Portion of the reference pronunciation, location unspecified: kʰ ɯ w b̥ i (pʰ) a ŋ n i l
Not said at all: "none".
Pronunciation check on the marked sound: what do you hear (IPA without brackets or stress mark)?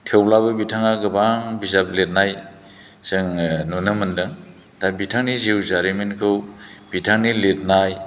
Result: tʰ